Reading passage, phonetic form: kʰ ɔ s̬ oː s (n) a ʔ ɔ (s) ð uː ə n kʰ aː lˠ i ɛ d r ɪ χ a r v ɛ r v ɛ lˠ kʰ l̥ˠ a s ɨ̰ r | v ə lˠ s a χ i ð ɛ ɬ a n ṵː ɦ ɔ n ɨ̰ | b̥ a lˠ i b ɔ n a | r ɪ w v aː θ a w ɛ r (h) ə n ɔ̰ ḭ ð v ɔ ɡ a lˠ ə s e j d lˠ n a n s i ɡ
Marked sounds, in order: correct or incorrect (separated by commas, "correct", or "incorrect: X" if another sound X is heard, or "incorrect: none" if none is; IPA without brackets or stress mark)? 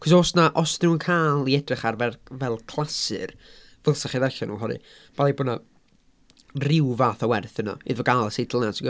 correct, correct, incorrect: θ